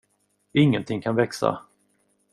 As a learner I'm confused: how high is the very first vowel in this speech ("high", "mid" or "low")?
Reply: high